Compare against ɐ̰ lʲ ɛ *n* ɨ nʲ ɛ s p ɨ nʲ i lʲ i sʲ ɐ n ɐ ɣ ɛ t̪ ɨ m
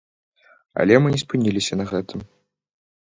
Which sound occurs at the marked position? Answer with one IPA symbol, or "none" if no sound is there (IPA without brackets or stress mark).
m